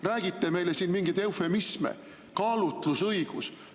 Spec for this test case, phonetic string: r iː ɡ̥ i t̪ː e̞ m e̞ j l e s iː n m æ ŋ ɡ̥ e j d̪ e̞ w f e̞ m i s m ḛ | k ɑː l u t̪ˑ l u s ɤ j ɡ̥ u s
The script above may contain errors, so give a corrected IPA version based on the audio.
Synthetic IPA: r æː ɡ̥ i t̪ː e̞ m e̞ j l e s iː n m i ŋ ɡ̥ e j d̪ e̞ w f e̞ m i s m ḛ | k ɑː l u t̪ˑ l u s ɤ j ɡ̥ u s